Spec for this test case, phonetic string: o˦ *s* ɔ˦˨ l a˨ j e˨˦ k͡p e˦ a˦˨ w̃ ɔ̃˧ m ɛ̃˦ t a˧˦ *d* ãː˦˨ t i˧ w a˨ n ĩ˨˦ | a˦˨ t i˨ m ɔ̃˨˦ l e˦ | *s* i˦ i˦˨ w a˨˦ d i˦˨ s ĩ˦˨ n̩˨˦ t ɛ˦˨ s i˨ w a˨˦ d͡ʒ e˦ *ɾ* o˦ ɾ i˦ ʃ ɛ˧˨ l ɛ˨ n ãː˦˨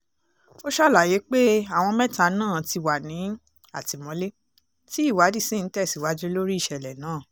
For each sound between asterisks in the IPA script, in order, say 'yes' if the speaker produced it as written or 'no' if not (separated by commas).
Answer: no, no, no, no